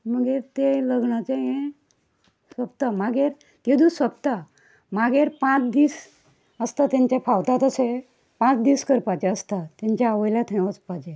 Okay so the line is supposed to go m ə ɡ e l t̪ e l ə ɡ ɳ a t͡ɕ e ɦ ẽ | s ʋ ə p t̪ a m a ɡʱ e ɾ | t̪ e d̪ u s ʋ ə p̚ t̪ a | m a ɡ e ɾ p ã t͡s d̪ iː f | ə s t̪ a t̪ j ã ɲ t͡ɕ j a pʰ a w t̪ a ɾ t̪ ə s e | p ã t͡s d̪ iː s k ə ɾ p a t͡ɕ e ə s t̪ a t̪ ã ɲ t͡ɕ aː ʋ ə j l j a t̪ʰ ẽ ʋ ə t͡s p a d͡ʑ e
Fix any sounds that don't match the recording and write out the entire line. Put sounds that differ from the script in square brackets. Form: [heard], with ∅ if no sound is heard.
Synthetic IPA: m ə ɡ e [ɾ] t̪ e l ə ɡ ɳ a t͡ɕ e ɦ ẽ | s ʋ ə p t̪ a m a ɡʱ e ɾ | t̪ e d̪ u s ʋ ə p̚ t̪ a | m a ɡ e ɾ p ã t͡s d̪ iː [s] | ə s t̪ a t̪ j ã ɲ t͡ɕ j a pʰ a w t̪ a [∅] t̪ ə s e | p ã t͡s d̪ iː s k ə ɾ p a t͡ɕ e ə s t̪ a t̪ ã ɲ t͡ɕ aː ʋ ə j l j a t̪ʰ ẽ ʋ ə t͡s p a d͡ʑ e